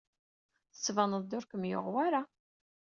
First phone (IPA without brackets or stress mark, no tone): θ